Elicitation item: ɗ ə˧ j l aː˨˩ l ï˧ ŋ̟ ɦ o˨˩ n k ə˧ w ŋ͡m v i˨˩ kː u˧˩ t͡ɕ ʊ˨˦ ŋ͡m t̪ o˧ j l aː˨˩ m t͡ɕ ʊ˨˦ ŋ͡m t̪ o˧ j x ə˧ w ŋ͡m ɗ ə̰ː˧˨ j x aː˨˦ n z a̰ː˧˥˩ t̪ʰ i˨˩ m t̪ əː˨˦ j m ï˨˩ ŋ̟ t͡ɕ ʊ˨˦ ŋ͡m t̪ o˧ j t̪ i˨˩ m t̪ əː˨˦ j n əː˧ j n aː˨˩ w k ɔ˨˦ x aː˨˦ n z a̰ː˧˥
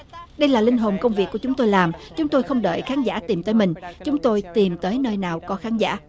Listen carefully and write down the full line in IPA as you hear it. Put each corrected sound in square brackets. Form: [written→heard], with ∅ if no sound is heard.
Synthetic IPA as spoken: ɗ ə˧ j l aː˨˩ l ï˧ ŋ̟ ɦ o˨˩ n k ə˧ w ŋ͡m v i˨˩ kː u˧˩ t͡ɕ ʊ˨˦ ŋ͡m t̪ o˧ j l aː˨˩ m t͡ɕ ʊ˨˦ ŋ͡m t̪ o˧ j x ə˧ w ŋ͡m ɗ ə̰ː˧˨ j x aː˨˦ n z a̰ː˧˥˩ [t̪ʰ→t̪] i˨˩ m t̪ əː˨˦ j m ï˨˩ ŋ̟ t͡ɕ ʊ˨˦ ŋ͡m t̪ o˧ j t̪ i˨˩ m t̪ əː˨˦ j n əː˧ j n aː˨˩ w k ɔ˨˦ x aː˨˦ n z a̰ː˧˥